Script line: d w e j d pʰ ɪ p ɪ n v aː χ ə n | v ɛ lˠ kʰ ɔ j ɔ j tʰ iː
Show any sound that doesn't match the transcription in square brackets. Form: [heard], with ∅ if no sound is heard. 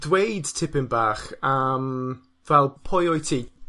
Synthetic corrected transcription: d w e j d [tʰ] ɪ p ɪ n [b] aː χ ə [m] | v ɛ lˠ [pʰ] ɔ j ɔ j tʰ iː